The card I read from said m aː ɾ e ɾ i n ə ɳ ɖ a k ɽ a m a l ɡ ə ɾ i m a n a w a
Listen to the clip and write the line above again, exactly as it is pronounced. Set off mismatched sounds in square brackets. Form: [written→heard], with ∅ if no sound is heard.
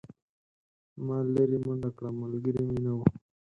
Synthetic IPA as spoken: m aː [ɾ→l] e ɾ i [n→m] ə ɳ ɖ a k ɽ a m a l ɡ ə ɾ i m [a→i] n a w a